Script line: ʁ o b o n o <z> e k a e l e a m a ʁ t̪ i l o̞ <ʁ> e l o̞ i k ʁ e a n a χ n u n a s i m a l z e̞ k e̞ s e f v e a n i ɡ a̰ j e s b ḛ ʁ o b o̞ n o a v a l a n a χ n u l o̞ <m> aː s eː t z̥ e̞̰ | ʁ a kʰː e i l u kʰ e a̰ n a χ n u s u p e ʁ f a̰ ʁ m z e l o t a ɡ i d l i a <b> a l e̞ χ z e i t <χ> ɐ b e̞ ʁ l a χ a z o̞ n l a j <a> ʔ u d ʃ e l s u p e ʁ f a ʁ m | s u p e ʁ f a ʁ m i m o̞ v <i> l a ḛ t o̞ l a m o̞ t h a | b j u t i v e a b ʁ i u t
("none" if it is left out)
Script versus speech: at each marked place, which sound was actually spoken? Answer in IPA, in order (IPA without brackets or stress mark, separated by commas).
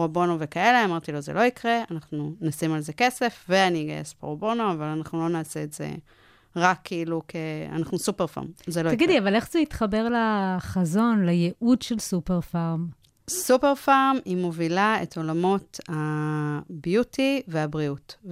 v, z, n, v, χ, e, i